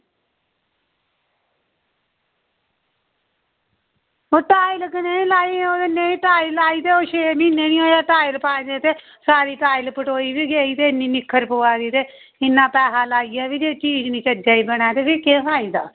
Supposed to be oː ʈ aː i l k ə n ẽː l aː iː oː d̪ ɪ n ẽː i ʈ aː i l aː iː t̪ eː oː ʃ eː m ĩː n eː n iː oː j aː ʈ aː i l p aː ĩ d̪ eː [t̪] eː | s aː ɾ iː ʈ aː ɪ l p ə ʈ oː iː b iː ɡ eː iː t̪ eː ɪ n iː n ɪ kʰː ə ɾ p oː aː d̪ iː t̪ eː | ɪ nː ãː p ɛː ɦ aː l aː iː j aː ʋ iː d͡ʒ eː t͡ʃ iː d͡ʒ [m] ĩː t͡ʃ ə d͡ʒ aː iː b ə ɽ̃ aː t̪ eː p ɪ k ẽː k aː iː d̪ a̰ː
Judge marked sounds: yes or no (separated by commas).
yes, no